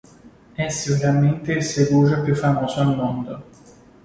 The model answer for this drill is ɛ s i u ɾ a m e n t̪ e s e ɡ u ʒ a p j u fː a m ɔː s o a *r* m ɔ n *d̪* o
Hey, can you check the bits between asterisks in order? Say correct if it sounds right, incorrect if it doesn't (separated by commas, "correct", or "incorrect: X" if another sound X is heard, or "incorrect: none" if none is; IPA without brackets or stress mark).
incorrect: l, correct